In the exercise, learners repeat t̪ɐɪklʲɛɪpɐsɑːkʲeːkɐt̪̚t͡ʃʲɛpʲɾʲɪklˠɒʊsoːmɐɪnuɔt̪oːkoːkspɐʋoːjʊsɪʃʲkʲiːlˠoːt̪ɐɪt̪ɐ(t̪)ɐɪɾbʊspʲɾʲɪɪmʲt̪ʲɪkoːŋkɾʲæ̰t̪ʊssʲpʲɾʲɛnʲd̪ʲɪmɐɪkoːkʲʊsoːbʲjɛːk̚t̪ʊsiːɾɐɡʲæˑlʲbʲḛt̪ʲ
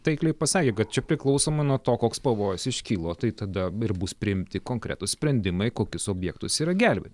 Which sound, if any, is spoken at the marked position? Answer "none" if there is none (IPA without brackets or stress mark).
d̪